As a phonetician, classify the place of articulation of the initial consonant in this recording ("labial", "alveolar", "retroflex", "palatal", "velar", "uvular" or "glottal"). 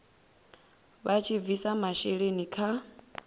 labial